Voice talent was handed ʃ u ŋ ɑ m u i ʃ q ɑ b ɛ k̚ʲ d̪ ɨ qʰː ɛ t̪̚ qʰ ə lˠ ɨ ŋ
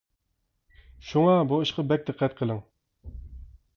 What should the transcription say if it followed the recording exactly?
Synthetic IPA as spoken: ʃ u ŋ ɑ b u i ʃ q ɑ b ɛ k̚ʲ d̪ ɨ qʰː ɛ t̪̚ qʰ ə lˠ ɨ ŋ